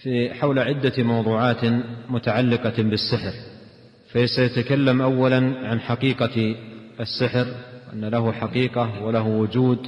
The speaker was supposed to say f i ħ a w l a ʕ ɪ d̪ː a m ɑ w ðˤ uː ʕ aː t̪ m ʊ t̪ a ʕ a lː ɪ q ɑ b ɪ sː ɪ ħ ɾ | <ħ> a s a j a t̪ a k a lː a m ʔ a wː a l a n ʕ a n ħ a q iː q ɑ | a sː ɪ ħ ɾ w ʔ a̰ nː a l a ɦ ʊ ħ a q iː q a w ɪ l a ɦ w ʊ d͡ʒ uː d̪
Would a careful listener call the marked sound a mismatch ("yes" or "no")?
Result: yes